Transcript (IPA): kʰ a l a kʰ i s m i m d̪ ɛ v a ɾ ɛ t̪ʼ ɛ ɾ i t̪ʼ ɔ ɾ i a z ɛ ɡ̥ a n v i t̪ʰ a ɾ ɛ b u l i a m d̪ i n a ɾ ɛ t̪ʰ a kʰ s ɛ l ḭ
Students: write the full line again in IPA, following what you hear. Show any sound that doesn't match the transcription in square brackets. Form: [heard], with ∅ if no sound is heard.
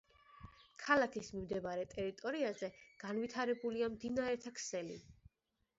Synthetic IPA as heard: kʰ a l a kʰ i s m i m d̪ ɛ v a ɾ ɛ t̪ʼ ɛ ɾ i t̪ʼ ɔ ɾ i a z ɛ ɡ̥ a n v i t̪ʰ a ɾ ɛ b u l i a m d̪ i n a ɾ ɛ t̪ʰ a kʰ s ɛ l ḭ